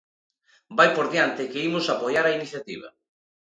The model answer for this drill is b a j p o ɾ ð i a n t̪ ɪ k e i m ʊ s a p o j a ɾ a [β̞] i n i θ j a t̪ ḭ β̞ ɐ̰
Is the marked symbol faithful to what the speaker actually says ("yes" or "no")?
no